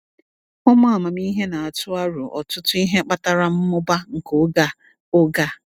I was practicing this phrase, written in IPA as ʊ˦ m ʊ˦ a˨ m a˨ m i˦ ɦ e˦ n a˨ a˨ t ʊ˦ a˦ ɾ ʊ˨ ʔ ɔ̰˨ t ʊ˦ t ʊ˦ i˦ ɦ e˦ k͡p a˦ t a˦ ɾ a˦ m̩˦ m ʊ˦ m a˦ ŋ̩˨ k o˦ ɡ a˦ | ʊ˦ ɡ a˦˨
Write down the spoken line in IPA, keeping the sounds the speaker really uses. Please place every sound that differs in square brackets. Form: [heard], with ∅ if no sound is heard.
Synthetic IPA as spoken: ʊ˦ m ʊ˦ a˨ m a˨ m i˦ ɦ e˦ n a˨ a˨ t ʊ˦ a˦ ɾ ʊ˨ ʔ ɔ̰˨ t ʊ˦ t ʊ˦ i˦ ɦ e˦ k͡p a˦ t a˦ ɾ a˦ m̩˦ m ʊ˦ [b] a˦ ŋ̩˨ k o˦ ɡ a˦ | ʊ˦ ɡ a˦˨